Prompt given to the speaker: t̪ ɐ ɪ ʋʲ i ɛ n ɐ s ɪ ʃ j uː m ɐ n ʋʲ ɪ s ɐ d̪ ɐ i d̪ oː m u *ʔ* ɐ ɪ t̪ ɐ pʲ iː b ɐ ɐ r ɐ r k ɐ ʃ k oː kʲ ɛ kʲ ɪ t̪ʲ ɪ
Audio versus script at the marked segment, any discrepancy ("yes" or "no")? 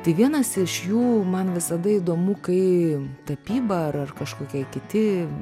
yes